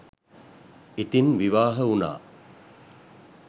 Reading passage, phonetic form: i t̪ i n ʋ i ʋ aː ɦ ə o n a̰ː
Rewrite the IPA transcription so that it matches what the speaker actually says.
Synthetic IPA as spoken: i t̪ i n ʋ i ʋ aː ɦ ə u n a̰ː

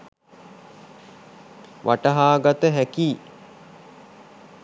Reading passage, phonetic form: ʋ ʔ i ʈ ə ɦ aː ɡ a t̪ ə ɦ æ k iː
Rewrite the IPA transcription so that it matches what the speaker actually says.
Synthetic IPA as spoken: ʋ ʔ a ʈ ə ɦ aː ɡ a t̪ ə ɦ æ k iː

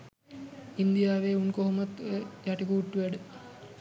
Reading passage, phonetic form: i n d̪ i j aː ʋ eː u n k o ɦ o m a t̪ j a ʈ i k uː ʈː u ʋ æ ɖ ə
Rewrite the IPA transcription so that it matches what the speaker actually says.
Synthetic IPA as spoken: i n d̪ i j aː ʋ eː u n k o ɦ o m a t̪ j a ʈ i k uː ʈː u ʋ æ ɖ ə

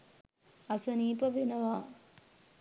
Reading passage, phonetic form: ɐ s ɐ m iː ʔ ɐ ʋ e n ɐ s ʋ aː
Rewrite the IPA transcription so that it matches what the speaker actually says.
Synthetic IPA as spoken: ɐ s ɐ n iː p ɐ ʋ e n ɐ ʋ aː

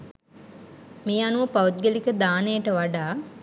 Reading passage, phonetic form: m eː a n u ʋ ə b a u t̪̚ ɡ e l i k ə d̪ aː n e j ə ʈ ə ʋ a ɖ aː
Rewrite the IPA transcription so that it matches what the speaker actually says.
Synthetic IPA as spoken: m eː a n u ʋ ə p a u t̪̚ ɡ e l i k ə d̪ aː n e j ə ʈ ə ʋ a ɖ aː

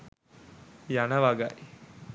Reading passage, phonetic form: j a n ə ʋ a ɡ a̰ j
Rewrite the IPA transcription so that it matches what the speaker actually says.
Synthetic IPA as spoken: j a n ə ʋ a ɡ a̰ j

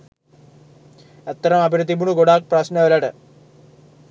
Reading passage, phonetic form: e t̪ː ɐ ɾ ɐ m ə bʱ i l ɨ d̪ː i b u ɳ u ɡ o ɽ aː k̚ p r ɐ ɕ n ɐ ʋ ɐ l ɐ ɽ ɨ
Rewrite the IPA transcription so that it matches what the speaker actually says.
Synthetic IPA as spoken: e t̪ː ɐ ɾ ɐ m ɐ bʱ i ɾ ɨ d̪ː i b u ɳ u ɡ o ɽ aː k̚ p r ɐ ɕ n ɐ ʋ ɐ l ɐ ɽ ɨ

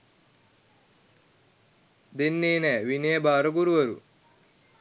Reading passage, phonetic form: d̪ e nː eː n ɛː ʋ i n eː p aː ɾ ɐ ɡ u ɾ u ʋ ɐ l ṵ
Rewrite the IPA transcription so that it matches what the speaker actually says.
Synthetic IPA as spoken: d̪ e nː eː n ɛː ʋ i n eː b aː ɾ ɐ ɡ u ɾ u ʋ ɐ ɾ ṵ

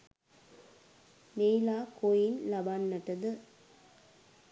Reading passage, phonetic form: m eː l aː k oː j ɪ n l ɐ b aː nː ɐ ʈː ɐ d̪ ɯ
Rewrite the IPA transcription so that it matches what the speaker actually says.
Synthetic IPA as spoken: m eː l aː k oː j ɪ n l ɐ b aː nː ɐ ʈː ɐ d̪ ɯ

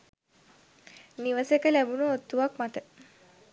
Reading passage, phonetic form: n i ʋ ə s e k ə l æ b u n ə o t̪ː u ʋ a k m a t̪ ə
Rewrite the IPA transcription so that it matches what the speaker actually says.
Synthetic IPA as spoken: n i ʋ ə s e k ə l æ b u n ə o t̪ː u ʋ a k m a t̪ ə

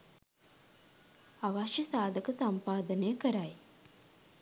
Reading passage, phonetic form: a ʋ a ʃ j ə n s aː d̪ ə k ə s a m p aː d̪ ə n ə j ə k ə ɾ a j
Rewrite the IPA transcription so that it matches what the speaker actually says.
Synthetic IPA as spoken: a ʋ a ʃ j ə s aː d̪ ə k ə s a m p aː d̪ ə n ə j ə k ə ɾ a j

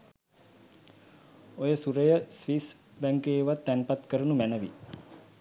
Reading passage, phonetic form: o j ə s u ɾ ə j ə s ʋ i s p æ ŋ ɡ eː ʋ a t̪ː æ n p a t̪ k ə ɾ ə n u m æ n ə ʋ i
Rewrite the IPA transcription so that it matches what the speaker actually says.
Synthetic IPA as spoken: o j ə s u ɾ ə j ə s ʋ i s b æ ŋ k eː ʋ a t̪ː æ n p a t̪ k ə ɾ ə n u m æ n ə ʋ i

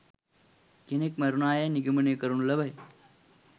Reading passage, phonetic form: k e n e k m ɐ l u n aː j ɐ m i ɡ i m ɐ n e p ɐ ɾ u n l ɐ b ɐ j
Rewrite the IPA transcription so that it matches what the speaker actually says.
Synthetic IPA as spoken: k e n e k m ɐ ɾ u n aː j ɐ n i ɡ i m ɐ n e k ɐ ɾ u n l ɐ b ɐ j

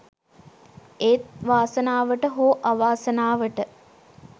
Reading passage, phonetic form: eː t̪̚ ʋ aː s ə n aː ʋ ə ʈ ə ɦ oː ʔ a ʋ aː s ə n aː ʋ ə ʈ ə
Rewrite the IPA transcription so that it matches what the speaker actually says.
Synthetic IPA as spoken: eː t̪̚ ʋ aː s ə n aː ʋ ə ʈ ə ɦ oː ʔ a ʋ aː s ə n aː ʋ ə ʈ ə

